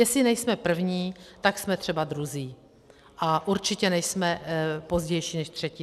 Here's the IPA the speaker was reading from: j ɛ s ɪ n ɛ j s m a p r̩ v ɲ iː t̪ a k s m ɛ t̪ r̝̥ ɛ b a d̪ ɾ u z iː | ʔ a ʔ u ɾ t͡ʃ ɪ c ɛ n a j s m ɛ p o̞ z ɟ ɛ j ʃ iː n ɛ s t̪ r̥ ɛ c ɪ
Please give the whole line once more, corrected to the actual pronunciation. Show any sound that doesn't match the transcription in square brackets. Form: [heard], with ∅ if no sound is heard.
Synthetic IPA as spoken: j ɛ s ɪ n ɛ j s m [ɛ] p r̩ v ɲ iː t̪ a k s m ɛ t̪ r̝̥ ɛ b a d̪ ɾ u z iː | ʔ a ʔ u ɾ t͡ʃ ɪ c ɛ n [ɛ] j s m ɛ p o̞ z ɟ ɛ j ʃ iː n ɛ [ʃ] t̪ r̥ ɛ c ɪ